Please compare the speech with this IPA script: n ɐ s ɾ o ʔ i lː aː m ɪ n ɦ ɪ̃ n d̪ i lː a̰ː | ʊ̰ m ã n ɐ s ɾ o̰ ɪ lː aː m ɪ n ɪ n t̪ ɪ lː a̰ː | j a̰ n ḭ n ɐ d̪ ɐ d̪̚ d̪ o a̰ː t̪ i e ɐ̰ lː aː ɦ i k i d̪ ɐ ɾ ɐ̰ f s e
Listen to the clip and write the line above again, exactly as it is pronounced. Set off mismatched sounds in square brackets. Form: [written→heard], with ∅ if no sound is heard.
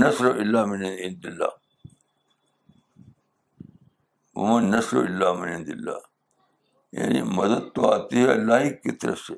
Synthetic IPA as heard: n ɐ s ɾ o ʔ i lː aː m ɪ n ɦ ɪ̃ n d̪ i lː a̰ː | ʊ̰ m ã n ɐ s ɾ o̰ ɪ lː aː m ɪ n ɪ n [t̪→d̪] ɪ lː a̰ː | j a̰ n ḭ [n→m] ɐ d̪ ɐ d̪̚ [d̪→t̪] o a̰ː t̪ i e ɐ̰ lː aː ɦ i k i [d̪→t̪] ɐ ɾ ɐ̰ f s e